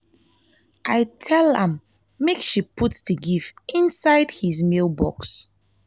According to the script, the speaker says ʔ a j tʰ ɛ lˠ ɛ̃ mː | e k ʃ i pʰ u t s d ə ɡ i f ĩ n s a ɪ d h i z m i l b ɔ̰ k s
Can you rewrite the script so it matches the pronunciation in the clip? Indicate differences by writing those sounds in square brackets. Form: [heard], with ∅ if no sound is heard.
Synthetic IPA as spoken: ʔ a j tʰ ɛ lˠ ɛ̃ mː | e k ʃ i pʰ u t s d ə ɡ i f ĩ n s a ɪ d h i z m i l b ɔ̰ k s